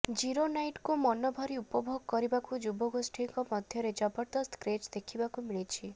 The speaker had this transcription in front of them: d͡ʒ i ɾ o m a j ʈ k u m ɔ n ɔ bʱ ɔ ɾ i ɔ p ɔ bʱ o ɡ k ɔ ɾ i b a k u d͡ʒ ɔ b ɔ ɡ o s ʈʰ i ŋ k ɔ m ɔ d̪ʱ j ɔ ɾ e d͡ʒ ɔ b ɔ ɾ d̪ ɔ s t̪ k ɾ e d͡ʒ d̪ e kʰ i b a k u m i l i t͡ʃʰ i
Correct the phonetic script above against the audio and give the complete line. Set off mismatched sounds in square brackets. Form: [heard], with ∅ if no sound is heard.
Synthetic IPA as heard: d͡ʒ i ɾ o [n] a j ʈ k u m ɔ n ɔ bʱ ɔ ɾ i [u] p ɔ bʱ o ɡ k ɔ ɾ i b a k u d͡ʒ [u] b ɔ ɡ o s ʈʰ i ŋ k ɔ m ɔ d̪ʱ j ɔ ɾ e d͡ʒ ɔ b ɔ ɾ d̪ ɔ s t̪ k ɾ e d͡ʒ d̪ e kʰ i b a k u m i [ɭ] i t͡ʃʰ i